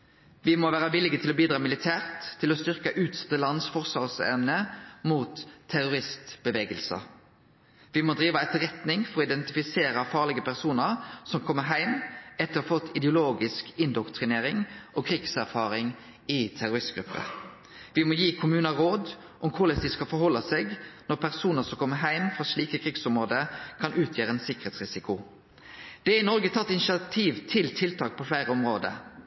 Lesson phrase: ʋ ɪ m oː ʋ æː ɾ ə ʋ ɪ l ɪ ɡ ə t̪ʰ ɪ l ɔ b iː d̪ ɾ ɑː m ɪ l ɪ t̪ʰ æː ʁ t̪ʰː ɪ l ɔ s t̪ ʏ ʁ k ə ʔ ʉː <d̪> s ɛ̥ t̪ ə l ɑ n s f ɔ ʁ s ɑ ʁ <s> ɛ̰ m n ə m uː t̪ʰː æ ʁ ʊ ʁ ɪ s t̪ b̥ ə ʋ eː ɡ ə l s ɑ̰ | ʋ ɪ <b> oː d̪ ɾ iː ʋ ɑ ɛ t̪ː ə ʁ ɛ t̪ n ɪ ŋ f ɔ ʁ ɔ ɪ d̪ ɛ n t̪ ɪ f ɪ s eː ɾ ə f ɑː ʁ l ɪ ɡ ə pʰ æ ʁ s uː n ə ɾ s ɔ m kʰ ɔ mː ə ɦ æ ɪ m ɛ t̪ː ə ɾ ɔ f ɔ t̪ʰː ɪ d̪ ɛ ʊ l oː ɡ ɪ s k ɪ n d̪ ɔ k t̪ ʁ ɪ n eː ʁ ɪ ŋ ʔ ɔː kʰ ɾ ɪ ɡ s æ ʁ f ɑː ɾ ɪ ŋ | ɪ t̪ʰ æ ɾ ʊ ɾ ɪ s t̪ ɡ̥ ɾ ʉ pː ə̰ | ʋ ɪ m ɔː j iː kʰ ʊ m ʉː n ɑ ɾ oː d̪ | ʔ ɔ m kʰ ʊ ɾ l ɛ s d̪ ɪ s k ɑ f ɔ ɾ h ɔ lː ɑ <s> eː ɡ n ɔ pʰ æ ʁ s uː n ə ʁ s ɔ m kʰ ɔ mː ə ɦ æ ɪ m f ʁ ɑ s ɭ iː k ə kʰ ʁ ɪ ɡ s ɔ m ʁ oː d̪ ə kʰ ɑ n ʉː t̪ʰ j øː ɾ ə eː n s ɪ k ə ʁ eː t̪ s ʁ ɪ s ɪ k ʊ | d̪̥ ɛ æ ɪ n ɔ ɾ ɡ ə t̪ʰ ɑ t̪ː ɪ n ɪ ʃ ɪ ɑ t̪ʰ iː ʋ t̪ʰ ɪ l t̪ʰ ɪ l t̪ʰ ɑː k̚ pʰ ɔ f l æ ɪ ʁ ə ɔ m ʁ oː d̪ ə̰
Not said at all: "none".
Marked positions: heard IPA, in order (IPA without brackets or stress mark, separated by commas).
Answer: t̪, s, m, s